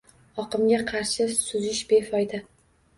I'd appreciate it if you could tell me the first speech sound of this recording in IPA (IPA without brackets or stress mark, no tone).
ɒ